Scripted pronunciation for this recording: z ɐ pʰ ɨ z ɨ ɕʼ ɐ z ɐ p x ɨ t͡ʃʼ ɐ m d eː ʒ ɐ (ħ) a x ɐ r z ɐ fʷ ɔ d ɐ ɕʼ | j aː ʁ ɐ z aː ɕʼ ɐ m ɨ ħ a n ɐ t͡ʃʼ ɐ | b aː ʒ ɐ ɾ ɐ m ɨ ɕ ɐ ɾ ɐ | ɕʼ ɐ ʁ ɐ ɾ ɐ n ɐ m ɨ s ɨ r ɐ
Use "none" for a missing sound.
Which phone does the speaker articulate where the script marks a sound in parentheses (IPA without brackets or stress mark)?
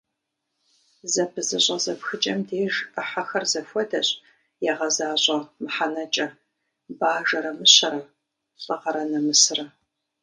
ħ